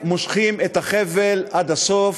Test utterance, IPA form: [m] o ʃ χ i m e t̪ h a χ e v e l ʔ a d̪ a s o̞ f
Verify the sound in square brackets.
correct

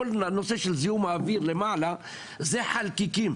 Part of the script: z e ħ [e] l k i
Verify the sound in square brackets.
incorrect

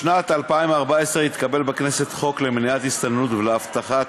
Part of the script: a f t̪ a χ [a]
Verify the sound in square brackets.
correct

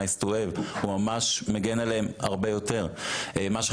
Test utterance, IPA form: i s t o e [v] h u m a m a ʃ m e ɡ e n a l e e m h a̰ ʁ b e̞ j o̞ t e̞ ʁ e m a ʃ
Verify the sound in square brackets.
correct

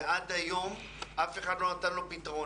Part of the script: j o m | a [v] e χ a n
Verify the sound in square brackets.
incorrect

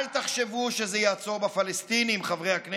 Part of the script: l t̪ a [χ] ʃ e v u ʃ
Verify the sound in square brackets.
correct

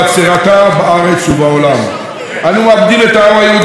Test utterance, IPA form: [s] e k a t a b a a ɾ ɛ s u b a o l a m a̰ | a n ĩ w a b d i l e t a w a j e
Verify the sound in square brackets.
correct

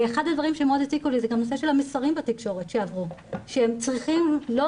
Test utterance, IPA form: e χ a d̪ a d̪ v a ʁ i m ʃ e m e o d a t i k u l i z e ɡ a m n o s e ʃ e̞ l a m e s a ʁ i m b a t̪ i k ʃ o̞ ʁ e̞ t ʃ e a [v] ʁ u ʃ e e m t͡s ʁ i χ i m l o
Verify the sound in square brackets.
correct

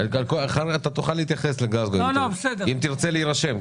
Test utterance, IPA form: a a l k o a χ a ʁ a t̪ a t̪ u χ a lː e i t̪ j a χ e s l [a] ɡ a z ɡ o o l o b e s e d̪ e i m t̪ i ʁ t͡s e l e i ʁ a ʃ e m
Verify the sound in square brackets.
incorrect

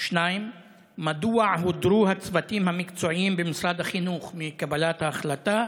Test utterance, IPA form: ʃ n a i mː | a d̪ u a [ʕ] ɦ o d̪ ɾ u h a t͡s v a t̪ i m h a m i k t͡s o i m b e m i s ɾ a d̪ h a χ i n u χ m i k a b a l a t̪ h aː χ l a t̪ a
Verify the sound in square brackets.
correct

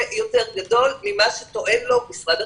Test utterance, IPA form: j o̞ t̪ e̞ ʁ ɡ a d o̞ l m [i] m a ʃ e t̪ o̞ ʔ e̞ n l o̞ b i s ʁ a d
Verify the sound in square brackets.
correct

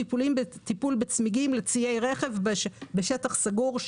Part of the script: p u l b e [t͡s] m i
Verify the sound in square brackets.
correct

